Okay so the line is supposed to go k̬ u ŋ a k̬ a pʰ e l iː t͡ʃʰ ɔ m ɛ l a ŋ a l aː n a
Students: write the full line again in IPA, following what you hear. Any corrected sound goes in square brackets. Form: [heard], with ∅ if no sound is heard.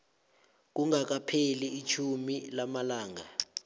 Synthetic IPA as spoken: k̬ u ŋ a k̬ a pʰ e l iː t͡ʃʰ [u] m [i] l a [m] a l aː [ŋ] a

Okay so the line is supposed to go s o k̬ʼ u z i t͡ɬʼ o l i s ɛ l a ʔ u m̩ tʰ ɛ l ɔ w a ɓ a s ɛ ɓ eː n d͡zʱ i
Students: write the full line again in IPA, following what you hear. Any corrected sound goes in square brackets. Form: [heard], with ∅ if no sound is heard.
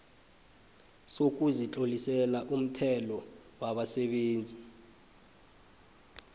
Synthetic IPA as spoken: s o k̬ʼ u z i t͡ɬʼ o l i s ɛ l a ʔ u m̩ tʰ ɛ l ɔ w a ɓ a s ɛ ɓ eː n d͡zʱ i

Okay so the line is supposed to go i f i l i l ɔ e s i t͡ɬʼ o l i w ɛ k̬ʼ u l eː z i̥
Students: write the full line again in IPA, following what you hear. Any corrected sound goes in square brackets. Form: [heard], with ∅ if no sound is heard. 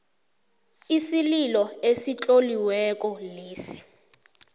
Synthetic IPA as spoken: i [s] i l i l ɔ e s i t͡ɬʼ o l i w ɛ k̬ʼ [ɔ] l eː [s] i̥

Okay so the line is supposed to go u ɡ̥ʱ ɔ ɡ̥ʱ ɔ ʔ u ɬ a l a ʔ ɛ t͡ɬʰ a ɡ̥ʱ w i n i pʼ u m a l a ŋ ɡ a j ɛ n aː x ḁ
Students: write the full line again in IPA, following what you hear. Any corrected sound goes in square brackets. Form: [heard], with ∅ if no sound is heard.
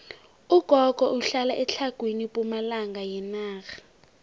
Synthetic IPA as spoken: u ɡ̥ʱ ɔ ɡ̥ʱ ɔ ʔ u ɬ a l a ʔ ɛ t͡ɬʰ a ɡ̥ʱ w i n i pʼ u m a l a ŋ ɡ a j ɛ n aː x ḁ

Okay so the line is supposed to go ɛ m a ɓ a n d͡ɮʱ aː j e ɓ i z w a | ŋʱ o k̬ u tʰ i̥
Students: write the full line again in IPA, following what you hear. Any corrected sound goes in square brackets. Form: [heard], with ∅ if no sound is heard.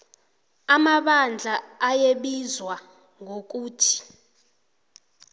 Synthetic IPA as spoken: [a] m a ɓ a n d͡ɮʱ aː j e ɓ i z w a | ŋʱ o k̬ [uː] tʰ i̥

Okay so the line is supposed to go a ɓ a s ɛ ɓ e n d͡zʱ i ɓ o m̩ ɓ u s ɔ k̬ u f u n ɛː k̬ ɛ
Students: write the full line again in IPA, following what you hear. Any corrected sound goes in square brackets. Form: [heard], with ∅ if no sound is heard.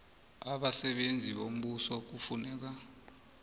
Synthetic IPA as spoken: a ɓ a s ɛ ɓ e n d͡zʱ i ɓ o m̩ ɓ u s ɔ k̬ u f u n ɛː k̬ [a]

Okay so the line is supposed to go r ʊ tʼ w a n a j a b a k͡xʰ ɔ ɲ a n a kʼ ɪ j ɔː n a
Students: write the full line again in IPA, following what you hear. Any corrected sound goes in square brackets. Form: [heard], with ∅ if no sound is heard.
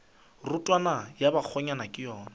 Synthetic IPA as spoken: r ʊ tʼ w a n a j a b a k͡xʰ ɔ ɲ a n a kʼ ɪ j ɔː n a

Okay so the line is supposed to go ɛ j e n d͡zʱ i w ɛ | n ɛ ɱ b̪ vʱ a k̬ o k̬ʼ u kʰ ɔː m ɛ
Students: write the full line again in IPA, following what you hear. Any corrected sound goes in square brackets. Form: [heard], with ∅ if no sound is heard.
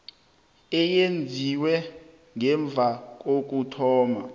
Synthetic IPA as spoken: ɛ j e n d͡zʱ i w ɛ | [ŋ] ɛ ɱ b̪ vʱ a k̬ o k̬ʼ u [tʰ] ɔː m [a]

